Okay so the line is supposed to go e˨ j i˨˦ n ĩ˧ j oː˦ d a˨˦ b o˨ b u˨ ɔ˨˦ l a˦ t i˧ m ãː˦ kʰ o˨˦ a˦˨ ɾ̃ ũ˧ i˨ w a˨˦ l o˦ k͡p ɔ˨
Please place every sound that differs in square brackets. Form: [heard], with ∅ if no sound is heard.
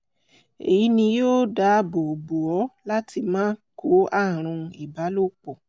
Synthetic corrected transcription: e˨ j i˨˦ n ĩ˧ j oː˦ d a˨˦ b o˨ b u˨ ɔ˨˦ l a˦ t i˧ m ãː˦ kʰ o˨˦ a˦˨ ɾ̃ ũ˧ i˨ [b] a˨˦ l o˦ k͡p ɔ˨